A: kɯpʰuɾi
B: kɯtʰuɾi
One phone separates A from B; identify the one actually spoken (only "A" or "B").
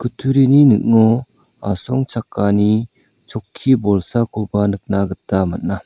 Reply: B